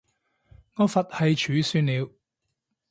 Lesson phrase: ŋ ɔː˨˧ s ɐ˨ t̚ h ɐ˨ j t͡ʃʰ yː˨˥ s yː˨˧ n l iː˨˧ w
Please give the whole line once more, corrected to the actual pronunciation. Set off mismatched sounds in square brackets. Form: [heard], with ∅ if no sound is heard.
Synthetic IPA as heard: ŋ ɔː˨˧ [f] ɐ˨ t̚ h ɐ˨ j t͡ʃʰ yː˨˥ s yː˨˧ n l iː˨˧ w